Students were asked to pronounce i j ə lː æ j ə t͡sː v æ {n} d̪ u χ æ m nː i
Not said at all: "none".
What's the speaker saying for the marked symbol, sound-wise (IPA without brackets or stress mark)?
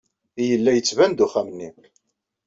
n